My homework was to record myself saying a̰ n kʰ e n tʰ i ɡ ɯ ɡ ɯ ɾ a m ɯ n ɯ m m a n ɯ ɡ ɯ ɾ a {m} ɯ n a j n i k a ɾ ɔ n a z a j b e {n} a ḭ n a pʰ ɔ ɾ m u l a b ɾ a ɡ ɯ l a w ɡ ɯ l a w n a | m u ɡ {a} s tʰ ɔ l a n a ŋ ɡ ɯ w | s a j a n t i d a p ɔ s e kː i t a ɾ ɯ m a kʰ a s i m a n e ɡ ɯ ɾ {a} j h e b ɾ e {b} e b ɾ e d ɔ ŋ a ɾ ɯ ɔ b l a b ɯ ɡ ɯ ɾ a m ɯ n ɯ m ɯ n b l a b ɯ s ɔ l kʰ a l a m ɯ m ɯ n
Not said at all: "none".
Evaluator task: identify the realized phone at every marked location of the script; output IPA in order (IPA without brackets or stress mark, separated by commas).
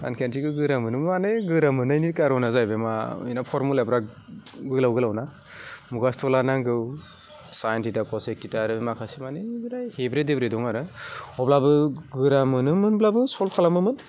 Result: m, m, a, a, d